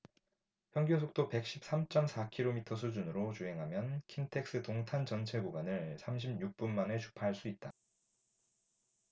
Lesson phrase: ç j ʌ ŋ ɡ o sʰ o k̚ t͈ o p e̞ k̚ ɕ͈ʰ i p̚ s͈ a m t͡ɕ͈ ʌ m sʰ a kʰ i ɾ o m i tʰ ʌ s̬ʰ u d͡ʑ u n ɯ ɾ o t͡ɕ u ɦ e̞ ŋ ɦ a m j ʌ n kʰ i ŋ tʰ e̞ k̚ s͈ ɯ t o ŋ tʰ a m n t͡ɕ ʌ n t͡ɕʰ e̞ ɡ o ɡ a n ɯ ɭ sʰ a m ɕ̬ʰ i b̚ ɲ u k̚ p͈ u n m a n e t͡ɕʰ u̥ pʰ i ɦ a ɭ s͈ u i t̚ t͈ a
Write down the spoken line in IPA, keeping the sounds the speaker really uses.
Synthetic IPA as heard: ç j ʌ ŋ ɡ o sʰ o k̚ t͈ o p e̞ k̚ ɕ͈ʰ i p̚ s͈ a m t͡ɕ͈ ʌ m sʰ a kʰ i ɾ o m i tʰ ʌ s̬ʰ u d͡ʑ u n ɯ ɾ o t͡ɕ u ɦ e̞ ŋ ɦ a m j ʌ n kʰ i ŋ tʰ e̞ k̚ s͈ ɯ t o ŋ tʰ a n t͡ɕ ʌ n t͡ɕʰ e̞ ɡ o ɡ a n ɯ ɭ sʰ a m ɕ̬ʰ i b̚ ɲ u k̚ p͈ u n m a n e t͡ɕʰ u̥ pʰ a ɦ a ɭ s͈ u i t̚ t͈ a